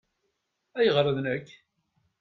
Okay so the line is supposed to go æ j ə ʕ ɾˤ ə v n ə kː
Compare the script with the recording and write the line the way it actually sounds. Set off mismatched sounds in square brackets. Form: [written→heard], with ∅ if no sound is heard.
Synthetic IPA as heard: æ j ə [ʕ→ʁ] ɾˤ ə [v→ð] n ə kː